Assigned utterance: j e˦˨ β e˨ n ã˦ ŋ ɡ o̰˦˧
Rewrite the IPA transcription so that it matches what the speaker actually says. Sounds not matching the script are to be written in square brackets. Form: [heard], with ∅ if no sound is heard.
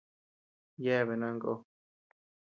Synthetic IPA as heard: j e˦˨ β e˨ n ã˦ ŋ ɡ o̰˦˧